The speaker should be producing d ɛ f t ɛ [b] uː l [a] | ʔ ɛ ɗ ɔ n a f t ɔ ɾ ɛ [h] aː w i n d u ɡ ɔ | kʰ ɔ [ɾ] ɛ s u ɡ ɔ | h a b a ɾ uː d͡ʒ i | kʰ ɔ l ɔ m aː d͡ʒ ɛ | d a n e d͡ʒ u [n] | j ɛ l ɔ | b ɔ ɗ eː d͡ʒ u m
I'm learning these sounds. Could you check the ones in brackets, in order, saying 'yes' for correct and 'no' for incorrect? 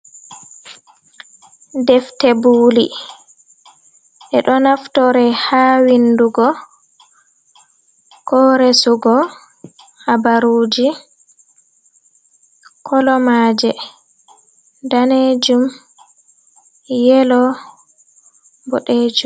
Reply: yes, no, yes, yes, no

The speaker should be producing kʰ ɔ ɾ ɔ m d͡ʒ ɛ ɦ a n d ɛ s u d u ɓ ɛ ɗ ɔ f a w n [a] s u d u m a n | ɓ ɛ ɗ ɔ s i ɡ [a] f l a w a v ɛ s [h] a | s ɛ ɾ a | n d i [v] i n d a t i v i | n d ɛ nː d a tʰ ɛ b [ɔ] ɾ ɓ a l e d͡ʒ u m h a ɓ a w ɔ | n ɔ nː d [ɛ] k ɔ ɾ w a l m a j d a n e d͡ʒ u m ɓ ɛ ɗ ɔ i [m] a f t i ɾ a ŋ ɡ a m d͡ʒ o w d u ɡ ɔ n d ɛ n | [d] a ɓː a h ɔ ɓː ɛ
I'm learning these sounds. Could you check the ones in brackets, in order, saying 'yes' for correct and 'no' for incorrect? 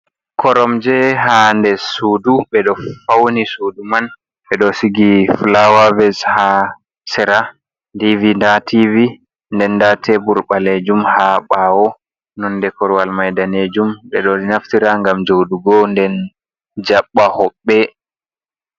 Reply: no, no, yes, yes, no, yes, no, no

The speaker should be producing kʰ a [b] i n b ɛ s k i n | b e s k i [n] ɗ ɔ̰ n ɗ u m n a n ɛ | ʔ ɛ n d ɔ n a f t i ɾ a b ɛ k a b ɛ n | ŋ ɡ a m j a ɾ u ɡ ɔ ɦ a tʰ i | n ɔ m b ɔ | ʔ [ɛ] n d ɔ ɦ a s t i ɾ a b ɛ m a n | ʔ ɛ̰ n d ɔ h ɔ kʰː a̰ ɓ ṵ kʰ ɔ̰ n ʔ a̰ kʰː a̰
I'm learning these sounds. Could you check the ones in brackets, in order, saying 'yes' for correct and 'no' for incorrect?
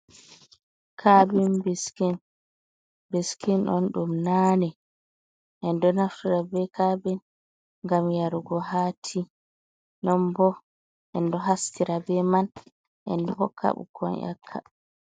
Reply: yes, yes, yes

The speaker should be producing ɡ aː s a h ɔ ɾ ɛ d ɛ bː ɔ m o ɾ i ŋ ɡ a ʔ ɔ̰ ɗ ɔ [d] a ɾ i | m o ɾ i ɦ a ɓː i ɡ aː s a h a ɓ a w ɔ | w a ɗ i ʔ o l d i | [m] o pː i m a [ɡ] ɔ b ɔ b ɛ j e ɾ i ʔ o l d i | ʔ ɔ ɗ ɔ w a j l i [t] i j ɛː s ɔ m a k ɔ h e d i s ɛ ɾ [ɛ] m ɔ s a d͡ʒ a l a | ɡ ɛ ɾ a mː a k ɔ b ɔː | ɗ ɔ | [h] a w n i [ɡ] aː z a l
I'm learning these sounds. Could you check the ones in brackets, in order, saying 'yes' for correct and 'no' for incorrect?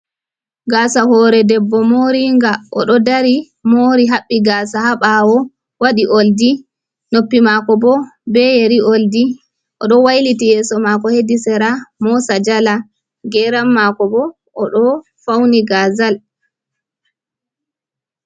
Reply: yes, no, no, yes, no, no, yes

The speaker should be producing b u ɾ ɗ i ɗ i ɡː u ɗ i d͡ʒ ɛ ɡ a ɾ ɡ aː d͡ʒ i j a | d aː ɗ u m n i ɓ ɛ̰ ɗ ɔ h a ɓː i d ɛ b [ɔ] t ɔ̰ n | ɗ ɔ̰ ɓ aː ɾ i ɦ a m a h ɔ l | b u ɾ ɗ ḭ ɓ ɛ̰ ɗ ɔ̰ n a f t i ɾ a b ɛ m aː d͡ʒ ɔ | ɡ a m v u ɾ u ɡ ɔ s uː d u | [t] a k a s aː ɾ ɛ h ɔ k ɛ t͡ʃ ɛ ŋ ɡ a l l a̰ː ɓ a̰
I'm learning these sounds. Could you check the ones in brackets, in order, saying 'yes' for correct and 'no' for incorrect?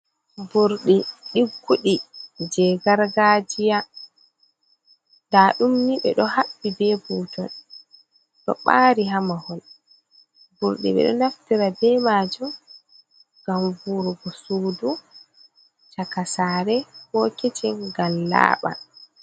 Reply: no, no

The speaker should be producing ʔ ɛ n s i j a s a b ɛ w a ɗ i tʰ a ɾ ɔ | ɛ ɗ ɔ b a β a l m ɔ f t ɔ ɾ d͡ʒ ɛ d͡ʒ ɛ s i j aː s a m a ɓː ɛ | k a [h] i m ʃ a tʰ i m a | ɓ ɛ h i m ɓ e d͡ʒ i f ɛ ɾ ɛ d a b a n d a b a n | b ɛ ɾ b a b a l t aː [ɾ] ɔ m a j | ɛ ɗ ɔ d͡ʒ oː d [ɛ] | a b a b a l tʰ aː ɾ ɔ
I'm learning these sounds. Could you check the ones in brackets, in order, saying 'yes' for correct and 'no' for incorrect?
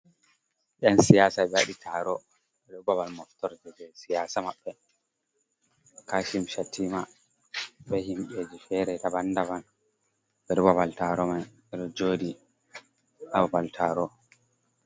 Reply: no, yes, no

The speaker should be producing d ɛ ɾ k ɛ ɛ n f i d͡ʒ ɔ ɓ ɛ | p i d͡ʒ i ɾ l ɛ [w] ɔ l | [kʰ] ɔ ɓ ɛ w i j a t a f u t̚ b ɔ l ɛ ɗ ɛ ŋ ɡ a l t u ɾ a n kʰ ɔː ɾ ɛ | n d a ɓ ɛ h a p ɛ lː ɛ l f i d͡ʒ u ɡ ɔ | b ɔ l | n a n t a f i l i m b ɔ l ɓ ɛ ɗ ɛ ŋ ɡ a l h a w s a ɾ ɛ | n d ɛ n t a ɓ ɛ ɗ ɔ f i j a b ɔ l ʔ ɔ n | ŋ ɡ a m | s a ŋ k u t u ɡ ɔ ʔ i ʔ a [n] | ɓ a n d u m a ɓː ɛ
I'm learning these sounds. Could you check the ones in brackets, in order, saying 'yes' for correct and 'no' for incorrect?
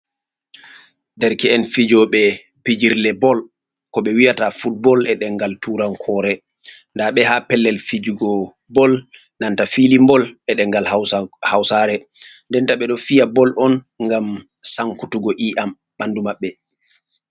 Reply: no, no, no

